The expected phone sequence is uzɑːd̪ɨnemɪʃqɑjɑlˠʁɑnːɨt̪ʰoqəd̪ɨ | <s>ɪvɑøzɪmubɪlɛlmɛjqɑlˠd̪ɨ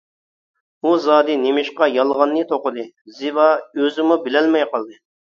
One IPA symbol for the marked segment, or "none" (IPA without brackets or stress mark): z